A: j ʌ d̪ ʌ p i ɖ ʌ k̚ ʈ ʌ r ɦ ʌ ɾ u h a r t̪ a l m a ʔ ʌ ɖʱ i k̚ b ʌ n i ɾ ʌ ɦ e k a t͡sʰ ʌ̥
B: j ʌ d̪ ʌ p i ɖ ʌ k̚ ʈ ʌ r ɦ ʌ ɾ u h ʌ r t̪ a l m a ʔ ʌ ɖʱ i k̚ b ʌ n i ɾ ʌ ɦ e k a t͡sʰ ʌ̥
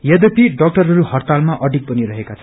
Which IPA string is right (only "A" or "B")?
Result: B